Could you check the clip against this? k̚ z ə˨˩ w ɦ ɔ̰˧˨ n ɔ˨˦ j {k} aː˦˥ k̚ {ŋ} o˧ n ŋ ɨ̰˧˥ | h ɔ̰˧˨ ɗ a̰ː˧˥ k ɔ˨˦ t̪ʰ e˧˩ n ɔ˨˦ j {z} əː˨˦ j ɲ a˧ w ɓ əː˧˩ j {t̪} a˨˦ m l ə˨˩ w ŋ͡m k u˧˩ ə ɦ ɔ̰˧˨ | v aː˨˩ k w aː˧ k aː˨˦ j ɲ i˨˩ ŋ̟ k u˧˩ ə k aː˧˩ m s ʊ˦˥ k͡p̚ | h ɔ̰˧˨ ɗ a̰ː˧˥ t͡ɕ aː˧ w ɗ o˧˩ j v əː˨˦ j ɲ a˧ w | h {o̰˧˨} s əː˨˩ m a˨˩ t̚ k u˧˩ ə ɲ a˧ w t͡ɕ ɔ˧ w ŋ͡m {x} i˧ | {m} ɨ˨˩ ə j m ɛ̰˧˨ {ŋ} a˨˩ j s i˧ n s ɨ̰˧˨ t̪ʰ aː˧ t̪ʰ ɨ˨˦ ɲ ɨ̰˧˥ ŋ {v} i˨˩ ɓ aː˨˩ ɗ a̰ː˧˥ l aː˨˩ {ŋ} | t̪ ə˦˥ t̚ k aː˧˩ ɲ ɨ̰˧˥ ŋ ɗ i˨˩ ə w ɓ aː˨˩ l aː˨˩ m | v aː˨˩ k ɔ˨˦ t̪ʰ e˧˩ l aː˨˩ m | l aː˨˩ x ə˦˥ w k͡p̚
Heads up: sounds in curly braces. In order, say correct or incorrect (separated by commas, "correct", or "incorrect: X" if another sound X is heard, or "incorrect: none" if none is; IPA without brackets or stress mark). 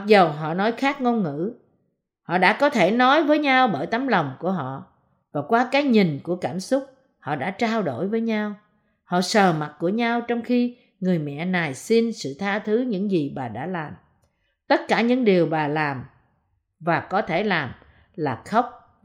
incorrect: x, correct, incorrect: v, correct, incorrect: ɔ̰˧˨, correct, incorrect: ŋ, incorrect: n, incorrect: z, incorrect: m